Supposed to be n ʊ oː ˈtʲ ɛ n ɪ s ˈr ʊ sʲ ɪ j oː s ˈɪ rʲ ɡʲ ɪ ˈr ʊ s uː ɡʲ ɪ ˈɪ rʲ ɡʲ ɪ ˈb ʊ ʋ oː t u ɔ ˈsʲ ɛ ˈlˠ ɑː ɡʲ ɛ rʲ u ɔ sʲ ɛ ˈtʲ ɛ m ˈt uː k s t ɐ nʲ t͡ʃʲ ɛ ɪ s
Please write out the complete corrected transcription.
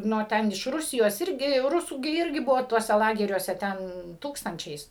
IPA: n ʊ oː ˈtʲ ɛ n ɪ ʃ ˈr ʊ sʲ ɪ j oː s ˈɪ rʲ ɡʲ ɪ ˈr ʊ s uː ɡʲ ɪ ˈɪ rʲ ɡʲ ɪ ˈb ʊ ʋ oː t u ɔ ˈsʲ ɛ ˈlˠ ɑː ɡʲ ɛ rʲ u ɔ sʲ ɛ ˈtʲ ɛ n ˈt uː k s t ɐ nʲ t͡ʃʲ ɛ ɪ s